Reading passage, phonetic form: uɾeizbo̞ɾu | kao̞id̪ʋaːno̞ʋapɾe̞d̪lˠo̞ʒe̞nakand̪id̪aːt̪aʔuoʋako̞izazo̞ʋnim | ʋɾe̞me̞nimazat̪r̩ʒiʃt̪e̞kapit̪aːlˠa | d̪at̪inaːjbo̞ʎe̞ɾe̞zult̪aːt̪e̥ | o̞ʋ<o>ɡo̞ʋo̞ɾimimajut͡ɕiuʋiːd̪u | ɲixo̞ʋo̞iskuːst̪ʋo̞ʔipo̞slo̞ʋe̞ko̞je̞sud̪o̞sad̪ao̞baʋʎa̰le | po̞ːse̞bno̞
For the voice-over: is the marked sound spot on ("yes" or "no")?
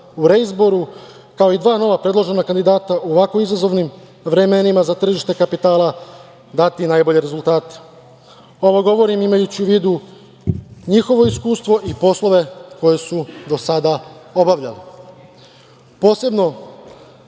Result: yes